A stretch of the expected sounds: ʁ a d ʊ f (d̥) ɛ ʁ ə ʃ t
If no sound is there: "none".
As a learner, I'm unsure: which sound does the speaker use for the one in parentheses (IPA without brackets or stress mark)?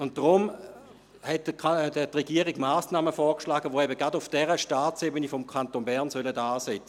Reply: d̥